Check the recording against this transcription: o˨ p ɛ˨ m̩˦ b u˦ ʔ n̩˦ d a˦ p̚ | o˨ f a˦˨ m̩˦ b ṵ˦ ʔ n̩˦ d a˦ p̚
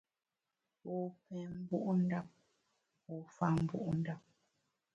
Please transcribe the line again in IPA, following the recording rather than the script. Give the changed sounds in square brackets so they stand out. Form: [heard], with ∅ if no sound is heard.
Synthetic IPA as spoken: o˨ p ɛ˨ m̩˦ b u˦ ʔ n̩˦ d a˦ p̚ | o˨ f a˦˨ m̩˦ b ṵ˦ ʔ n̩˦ d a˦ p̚